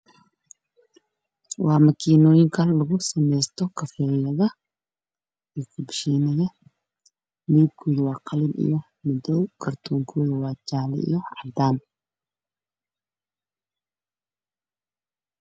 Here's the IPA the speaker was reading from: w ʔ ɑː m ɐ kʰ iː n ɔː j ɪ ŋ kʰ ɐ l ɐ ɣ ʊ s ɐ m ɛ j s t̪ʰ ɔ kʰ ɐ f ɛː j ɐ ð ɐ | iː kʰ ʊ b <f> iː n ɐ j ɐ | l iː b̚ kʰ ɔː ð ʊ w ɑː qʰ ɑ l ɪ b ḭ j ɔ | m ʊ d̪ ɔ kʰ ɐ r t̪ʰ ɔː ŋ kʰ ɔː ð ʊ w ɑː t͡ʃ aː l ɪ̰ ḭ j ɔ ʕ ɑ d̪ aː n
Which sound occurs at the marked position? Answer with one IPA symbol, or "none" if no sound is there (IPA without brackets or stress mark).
ʃ